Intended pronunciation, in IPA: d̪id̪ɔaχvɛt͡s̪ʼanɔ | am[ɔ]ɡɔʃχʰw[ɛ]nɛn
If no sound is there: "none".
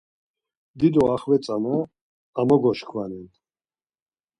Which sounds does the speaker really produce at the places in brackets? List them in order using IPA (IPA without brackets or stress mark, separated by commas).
ɔ, a